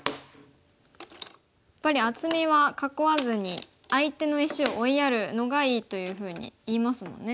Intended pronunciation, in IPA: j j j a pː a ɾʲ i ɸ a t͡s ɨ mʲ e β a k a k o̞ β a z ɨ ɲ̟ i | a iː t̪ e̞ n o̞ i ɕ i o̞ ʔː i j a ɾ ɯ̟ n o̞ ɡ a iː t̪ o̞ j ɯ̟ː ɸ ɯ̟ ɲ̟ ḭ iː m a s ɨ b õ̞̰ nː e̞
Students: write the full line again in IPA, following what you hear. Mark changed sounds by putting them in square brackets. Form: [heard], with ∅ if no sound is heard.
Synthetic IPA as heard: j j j a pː a ɾʲ i [∅] a t͡s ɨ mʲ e β a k a k o̞ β a z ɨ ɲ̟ i | a [i] t̪ e̞ n o̞ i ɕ i o̞ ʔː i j a ɾ ɯ̟ n o̞ ɡ a iː t̪ o̞ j ɯ̟ː ɸ [ɯ̟ː] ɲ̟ ḭ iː m a s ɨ [m] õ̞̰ nː e̞